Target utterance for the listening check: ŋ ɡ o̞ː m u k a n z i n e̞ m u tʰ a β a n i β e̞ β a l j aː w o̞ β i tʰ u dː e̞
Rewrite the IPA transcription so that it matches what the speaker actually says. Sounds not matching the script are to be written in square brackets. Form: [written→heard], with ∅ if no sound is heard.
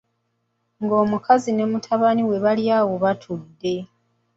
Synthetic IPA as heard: ŋ ɡ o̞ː m u k a [n→∅] z i n e̞ m u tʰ a β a n i [β→w] e̞ β a l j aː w o̞ β [i→a] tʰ u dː e̞